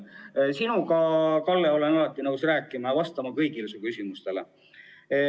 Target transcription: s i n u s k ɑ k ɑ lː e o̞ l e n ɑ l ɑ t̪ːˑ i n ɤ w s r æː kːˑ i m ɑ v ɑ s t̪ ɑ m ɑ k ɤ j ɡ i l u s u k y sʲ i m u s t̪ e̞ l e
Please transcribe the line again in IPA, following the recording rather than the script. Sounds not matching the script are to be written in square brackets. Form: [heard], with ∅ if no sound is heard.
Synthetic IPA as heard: s i n u [∅] k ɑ k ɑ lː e o̞ l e n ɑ l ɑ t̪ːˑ i n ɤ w s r æː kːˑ i m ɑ v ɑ s t̪ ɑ m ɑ k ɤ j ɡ i l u s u k y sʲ i m u s t̪ e̞ l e